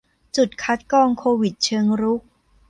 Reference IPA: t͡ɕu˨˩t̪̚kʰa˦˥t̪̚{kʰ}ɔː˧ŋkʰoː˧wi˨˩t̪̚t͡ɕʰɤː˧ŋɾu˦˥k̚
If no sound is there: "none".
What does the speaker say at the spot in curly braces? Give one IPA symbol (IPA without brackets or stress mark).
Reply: k